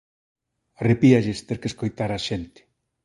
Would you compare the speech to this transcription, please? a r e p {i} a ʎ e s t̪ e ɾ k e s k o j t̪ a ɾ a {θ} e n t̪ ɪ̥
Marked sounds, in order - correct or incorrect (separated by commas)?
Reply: correct, incorrect